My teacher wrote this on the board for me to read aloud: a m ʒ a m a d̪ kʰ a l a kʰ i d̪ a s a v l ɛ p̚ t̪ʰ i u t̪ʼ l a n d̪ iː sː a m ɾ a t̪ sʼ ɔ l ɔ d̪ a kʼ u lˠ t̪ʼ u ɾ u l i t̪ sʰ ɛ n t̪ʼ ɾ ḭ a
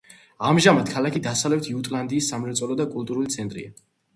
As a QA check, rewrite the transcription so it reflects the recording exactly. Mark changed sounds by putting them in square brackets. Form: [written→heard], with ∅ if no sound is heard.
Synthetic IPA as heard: a m ʒ a m a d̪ kʰ a l a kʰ i d̪ a s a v l ɛ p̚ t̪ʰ i u t̪ʼ l a n d̪ iː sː a m ɾ [a→ɛ] t̪ sʼ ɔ l ɔ d̪ a kʼ u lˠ t̪ʼ u ɾ u l i t̪ sʰ ɛ n t̪ʼ ɾ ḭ a